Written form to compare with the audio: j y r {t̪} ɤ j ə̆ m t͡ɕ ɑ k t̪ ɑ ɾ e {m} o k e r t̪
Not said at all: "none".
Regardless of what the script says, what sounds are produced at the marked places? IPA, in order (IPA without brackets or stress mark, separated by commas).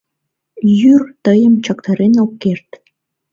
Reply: t̪, n